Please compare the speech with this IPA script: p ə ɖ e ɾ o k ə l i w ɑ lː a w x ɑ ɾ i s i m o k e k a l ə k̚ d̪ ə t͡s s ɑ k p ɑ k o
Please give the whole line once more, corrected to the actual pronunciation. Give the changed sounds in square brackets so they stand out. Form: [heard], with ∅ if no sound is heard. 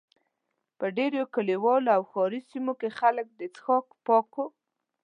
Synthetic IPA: p ə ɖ e ɾ o k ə l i w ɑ [l] a w x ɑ ɾ i s i m o k e [x] a l ə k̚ d̪ ə t͡s [x] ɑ k p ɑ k o